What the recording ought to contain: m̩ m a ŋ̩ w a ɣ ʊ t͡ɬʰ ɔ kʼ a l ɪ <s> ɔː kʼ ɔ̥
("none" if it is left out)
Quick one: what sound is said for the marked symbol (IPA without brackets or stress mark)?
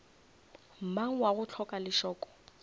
ʃ